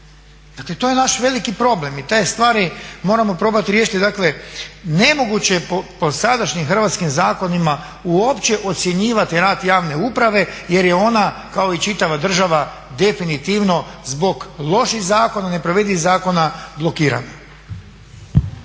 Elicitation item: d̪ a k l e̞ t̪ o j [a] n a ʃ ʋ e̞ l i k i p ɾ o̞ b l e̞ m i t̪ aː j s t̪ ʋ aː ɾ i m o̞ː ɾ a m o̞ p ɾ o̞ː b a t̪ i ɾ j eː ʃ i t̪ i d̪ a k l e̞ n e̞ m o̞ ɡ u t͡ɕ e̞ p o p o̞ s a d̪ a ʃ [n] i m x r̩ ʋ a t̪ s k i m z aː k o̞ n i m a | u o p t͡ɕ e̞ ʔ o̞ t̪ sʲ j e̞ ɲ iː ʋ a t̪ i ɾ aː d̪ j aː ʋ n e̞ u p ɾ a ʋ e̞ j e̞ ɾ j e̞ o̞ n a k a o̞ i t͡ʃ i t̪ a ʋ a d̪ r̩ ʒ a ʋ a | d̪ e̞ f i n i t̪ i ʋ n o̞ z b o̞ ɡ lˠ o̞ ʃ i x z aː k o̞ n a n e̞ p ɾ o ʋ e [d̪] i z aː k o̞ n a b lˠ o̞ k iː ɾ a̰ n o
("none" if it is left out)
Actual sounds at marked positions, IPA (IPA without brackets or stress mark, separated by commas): e, ɲ, d̪